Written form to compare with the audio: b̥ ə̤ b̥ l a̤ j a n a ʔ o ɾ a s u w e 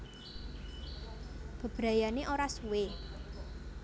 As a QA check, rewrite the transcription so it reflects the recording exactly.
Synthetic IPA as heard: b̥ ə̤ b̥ ɾ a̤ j a n e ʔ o ɾ a s u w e